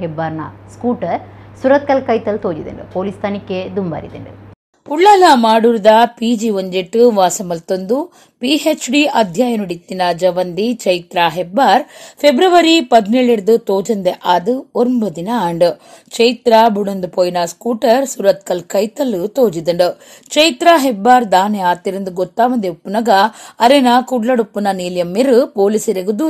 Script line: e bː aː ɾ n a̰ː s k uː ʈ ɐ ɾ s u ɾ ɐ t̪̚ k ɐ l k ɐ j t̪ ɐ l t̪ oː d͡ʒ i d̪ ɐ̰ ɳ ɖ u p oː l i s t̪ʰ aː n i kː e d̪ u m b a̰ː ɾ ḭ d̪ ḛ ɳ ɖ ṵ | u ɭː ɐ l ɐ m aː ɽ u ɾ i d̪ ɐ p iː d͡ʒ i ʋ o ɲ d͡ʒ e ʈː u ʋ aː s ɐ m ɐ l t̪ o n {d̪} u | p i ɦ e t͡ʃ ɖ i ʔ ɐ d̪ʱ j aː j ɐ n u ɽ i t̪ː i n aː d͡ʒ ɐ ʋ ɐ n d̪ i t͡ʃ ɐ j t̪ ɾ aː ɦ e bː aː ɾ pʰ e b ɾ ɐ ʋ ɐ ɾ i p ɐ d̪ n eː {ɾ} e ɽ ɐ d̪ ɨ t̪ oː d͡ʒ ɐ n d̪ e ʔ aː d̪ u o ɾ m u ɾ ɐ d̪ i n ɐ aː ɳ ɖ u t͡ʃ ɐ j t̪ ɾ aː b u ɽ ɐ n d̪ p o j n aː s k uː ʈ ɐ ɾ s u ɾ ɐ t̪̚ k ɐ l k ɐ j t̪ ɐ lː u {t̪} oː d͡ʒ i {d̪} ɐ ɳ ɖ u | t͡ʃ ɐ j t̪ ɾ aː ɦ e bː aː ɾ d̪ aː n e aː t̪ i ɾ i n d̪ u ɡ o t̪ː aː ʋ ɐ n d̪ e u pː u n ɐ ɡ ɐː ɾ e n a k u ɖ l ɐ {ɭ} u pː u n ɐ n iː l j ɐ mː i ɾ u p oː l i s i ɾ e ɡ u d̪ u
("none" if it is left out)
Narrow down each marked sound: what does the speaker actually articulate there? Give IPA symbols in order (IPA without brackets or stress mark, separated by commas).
d̪, ɭ, t̪, d̪, ɽ